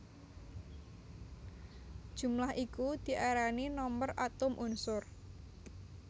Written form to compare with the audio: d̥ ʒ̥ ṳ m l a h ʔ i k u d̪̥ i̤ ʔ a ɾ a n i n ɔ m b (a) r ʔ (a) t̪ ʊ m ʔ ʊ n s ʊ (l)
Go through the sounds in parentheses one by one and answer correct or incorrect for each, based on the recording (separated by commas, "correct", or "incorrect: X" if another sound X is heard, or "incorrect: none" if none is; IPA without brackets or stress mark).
incorrect: ə, correct, incorrect: r